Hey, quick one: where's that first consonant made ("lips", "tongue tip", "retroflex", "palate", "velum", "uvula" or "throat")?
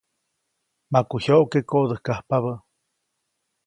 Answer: lips